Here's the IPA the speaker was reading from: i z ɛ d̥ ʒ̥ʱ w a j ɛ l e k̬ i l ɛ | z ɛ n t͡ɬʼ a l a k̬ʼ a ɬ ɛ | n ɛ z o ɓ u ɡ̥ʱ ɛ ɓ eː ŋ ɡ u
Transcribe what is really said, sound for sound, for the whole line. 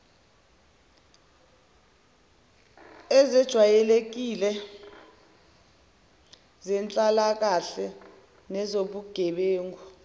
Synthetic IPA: ɛ z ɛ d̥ ʒ̥ʱ w a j ɛ l e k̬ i l ɛ | z ɛ n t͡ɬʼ a l a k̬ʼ a ɬ ɛ | n ɛ z o ɓ u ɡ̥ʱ ɛ ɓ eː ŋ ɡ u